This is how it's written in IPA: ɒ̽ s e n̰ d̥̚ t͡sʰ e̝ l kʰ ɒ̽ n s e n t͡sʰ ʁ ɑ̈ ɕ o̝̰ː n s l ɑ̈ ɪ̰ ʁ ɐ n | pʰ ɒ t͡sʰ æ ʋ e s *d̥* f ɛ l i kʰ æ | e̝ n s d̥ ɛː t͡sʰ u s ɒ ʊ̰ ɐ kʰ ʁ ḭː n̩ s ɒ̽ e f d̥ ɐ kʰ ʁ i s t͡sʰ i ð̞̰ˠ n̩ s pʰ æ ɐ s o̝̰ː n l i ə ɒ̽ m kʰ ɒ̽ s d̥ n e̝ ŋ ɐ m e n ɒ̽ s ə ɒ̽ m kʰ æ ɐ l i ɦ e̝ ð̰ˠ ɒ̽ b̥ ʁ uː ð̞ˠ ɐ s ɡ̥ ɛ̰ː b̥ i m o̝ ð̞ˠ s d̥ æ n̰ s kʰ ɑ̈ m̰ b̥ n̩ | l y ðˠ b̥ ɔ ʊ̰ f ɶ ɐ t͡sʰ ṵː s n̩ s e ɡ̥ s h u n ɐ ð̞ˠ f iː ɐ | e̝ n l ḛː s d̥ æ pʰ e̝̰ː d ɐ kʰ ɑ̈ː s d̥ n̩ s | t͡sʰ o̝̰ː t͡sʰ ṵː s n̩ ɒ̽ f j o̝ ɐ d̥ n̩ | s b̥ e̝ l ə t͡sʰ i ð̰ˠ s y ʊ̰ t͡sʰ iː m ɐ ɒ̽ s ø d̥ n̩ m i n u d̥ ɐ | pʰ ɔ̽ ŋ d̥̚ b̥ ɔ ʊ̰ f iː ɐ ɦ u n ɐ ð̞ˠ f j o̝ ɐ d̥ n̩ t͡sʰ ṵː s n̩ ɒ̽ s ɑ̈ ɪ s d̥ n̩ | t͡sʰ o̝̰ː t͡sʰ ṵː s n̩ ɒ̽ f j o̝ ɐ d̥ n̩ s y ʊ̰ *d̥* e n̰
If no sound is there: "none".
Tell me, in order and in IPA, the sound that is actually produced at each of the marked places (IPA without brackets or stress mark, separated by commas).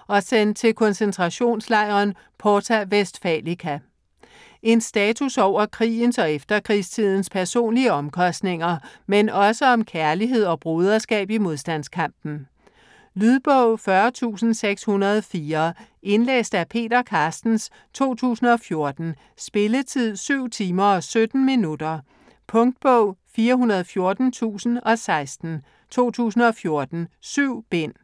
d̥, b̥